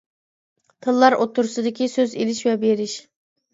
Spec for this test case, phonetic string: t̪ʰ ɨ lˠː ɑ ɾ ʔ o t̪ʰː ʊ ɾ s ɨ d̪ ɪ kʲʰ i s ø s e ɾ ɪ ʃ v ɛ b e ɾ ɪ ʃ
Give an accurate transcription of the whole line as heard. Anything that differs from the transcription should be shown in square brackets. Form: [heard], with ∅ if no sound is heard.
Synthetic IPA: t̪ʰ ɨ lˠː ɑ ɾ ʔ o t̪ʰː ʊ ɾ s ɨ d̪ ɪ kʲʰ i s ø [z] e [l] ɪ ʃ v ɛ b e ɾ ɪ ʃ